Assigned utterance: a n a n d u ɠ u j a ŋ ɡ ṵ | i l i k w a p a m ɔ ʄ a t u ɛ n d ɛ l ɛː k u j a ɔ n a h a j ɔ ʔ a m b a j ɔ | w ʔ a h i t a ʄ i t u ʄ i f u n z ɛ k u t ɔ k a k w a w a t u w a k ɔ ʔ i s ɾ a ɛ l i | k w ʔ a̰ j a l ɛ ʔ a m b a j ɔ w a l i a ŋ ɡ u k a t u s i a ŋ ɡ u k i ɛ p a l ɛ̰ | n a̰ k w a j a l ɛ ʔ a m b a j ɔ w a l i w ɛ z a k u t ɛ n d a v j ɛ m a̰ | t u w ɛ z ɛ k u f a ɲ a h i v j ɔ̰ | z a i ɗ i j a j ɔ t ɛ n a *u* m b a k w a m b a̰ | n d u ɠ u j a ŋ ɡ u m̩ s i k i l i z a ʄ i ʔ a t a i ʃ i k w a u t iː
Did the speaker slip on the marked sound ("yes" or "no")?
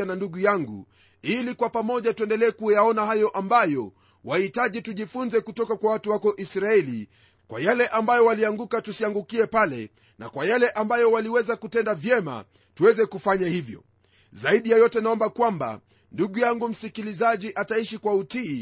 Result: yes